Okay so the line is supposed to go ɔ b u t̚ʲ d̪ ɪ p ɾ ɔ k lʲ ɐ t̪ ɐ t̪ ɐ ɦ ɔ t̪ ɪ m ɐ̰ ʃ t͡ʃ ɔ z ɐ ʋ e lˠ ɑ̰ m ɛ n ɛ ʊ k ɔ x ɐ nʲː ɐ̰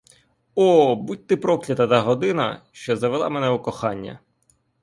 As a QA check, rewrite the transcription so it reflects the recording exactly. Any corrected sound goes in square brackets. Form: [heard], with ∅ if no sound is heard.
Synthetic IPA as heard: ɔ b u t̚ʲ [t̪] ɪ p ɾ ɔ k lʲ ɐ t̪ ɐ t̪ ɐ ɦ ɔ [d̪] ɪ [n] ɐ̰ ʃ t͡ʃ ɔ z ɐ ʋ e lˠ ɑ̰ m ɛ n ɛ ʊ k ɔ x [ɑ] nʲː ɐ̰